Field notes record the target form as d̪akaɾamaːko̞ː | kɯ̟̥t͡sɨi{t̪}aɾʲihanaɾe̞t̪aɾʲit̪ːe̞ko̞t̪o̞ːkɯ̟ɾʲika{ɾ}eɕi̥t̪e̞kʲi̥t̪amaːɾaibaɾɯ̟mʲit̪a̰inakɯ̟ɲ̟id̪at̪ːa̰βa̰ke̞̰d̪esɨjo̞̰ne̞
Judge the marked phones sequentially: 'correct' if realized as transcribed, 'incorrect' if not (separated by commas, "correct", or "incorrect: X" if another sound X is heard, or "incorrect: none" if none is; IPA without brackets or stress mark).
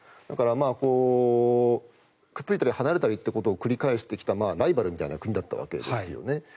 correct, incorrect: none